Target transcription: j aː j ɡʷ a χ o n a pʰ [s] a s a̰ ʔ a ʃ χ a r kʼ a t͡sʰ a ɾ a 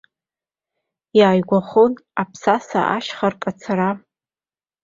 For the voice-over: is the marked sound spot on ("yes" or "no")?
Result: yes